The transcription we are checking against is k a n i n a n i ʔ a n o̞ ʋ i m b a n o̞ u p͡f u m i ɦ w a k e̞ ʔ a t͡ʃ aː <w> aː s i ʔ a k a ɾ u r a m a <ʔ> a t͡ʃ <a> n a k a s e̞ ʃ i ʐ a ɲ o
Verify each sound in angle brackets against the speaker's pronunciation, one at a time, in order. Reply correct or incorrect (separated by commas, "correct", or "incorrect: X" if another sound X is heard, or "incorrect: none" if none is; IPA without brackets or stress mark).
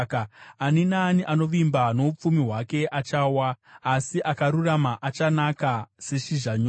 correct, correct, correct